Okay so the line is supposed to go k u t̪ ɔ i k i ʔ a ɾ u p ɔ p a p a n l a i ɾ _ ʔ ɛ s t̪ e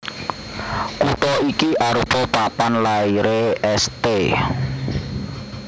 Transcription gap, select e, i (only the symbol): e